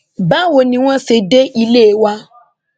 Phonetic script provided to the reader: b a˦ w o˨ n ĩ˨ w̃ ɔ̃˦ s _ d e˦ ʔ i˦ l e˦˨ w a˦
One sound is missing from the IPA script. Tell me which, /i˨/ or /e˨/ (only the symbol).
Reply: e˨